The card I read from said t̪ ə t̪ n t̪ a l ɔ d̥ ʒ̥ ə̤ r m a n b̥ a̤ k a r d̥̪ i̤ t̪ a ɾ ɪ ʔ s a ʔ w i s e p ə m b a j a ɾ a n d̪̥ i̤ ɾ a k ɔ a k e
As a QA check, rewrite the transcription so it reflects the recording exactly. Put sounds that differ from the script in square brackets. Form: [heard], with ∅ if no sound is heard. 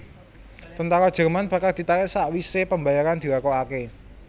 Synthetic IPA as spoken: t̪ ə [∅] n t̪ a [ɾ] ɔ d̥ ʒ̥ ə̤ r m a n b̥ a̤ k a r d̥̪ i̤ t̪ a ɾ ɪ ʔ s a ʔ w i s e p ə m b a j a ɾ a n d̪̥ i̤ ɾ a k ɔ a k e